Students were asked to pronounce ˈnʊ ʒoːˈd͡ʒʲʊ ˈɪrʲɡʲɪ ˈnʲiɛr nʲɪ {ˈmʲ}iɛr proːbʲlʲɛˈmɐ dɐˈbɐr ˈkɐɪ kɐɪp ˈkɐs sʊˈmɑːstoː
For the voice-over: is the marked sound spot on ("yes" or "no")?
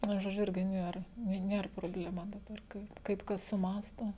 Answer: no